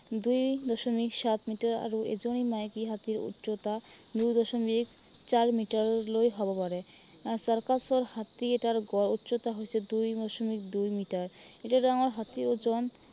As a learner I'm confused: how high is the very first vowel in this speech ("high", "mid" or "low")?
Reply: high